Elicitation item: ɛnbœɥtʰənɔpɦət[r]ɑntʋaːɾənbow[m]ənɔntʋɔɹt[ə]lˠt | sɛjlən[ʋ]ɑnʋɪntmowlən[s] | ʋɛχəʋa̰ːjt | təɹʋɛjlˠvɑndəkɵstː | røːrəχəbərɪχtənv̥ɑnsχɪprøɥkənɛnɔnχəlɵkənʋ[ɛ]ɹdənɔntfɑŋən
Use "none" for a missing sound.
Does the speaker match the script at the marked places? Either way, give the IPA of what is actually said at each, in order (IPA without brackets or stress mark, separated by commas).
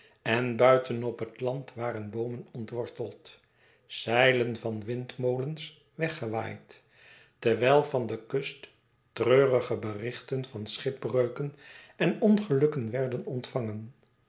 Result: l, m, ə, v, s, ɛ